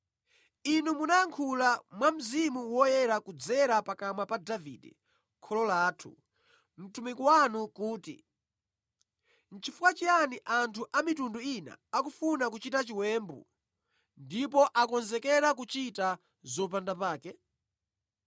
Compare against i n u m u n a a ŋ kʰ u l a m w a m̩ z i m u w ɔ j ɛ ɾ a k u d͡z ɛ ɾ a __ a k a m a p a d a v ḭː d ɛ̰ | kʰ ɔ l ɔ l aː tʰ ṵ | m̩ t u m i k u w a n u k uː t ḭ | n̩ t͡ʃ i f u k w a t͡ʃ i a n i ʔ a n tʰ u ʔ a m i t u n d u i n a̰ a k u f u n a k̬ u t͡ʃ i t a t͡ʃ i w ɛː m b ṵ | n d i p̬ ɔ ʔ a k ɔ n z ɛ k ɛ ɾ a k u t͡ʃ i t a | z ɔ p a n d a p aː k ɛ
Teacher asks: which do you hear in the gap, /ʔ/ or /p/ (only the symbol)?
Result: p